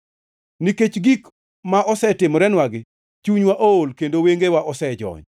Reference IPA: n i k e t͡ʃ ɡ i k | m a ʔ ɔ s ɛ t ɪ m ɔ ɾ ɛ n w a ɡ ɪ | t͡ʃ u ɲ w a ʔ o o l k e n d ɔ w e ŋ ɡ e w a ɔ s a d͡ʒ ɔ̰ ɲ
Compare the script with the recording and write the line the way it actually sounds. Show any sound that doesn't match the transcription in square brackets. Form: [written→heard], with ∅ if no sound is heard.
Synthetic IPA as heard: n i k e t͡ʃ ɡ i k | m a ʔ ɔ s ɛ t ɪ m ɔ ɾ ɛ n w a ɡ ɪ | t͡ʃ u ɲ w a ʔ o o l k e n d [ɔ→o] w e ŋ ɡ e w a ɔ s [a→ɛ] d͡ʒ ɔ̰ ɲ

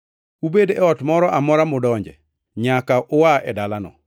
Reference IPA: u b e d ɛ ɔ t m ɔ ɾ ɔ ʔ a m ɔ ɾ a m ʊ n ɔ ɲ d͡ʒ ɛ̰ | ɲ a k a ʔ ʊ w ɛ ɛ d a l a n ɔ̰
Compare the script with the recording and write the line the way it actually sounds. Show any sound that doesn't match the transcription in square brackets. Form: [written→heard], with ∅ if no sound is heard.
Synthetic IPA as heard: u b e d ɛ ɔ t m ɔ ɾ ɔ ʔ a m ɔ ɾ a m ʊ [n→d] ɔ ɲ d͡ʒ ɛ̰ | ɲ a k a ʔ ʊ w [ɛ→a] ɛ d a l a n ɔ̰

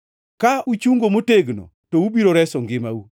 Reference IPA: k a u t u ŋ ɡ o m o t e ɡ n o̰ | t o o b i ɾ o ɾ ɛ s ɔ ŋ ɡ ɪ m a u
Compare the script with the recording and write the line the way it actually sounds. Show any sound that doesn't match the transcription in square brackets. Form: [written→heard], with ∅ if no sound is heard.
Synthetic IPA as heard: k a u [t→t͡ʃ] u ŋ ɡ o m o t e ɡ n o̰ | t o [o→u] b i ɾ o ɾ ɛ s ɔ ŋ ɡ ɪ m a u

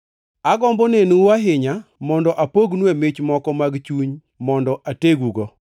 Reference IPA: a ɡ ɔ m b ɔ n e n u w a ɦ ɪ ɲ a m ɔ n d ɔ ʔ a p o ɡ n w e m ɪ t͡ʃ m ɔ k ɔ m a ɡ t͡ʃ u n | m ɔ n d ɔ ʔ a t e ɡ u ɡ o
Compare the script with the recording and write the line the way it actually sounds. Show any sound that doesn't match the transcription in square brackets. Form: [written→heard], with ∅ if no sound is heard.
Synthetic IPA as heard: a ɡ ɔ m b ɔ n e n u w a ɦ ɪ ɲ a m ɔ n d ɔ ʔ a p o ɡ n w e m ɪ t͡ʃ m ɔ k ɔ m a ɡ t͡ʃ u [n→ɲ] | m ɔ n d ɔ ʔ a t e ɡ u ɡ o

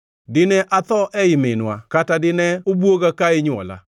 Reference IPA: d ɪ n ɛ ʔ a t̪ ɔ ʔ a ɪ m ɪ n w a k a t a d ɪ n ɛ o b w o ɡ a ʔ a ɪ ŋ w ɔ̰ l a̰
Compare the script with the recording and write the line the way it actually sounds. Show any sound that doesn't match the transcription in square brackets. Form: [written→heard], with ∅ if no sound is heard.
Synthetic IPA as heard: d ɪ n ɛ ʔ a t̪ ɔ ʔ [a→ɛ] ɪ m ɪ n w a k a t a d ɪ n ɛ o b w o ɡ a [ʔ→k] a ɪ [ŋ→ɲ] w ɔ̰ l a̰

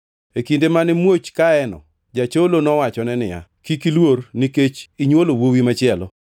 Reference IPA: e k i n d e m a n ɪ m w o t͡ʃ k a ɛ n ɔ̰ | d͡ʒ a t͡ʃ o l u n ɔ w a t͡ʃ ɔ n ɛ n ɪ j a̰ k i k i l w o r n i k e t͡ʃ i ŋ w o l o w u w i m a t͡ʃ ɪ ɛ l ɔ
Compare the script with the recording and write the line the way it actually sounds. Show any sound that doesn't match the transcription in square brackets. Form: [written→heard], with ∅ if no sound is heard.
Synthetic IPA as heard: e k i n d e m a n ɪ m w o t͡ʃ k a ɛ n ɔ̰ | d͡ʒ a t͡ʃ o l [u→o] n ɔ w a t͡ʃ ɔ n ɛ n ɪ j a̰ k i k i l w o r n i k e t͡ʃ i [ŋ→ɲ] w o l o w [u→o] w i m a t͡ʃ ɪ ɛ l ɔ

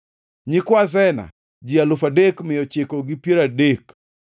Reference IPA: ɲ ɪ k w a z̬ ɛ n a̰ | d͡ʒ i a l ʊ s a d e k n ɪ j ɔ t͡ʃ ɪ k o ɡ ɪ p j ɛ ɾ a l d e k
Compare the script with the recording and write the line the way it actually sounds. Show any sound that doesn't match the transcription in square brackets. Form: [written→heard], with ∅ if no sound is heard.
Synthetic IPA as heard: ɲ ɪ k w a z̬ ɛ n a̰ | d͡ʒ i a l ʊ [s→f] a d e k [n→m] ɪ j ɔ t͡ʃ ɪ k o ɡ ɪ p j [ɛ→e] ɾ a [l→∅] d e k

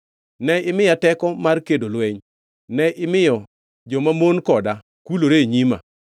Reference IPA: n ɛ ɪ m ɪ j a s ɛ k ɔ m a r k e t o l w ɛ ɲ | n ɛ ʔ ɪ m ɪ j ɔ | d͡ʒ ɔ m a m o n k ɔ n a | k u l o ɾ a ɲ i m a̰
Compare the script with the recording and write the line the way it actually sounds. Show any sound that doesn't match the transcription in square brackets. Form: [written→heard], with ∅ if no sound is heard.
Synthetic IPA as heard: n ɛ ɪ m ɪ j a [s→t] ɛ k ɔ m a r k e [t→d] o l w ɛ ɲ | n ɛ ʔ ɪ m ɪ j ɔ | d͡ʒ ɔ m a m o n k ɔ [n→d] a | k u l o ɾ [a→e] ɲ i m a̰

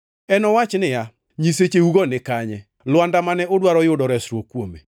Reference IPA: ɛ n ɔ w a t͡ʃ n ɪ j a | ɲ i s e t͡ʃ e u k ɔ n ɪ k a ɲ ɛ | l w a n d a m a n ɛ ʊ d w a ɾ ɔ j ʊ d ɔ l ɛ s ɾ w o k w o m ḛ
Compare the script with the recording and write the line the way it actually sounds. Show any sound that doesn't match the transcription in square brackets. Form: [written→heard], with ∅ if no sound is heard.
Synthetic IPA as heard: ɛ n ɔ w a t͡ʃ n ɪ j a | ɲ i s e t͡ʃ e u [k→ɡ] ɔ n ɪ k a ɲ ɛ | l w a n d a m a n ɛ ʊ d w a ɾ ɔ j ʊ d ɔ [l→ɾ] ɛ s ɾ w o k w o m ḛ

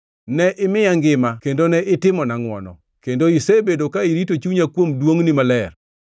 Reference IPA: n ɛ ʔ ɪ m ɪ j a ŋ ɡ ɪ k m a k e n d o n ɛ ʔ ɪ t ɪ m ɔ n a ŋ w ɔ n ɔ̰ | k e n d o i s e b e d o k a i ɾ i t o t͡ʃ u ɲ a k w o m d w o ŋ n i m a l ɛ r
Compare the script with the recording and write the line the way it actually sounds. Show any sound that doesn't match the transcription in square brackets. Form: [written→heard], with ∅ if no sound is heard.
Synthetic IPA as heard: n ɛ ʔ ɪ m ɪ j a ŋ ɡ ɪ [k→∅] m a k e n d o n ɛ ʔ ɪ t ɪ m ɔ n a ŋ w ɔ n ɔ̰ | k e n d o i s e b e d o k a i ɾ i t o t͡ʃ u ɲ a k w o m d w o ŋ n i m a l ɛ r

